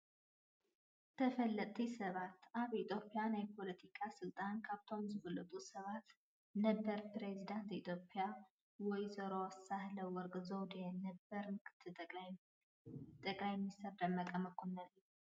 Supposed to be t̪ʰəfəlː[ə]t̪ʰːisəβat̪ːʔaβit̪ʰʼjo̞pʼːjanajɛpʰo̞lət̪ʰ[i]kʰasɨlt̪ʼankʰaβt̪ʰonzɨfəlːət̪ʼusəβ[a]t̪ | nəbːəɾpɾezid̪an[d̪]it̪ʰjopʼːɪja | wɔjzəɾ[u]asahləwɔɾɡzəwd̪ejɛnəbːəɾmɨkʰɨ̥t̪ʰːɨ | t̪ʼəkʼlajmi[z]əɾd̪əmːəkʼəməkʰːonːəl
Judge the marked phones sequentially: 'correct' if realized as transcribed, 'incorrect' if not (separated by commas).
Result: correct, correct, correct, incorrect, incorrect, incorrect